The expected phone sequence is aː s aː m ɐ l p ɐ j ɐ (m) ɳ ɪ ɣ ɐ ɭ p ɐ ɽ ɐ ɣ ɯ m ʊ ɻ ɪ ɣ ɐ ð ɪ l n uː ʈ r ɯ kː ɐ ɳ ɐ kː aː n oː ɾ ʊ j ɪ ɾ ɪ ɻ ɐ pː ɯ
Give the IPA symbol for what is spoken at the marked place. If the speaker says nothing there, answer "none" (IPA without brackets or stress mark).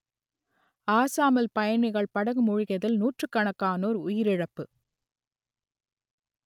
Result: none